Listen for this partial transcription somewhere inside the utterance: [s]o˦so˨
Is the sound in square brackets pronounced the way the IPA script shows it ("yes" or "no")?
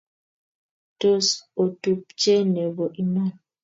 no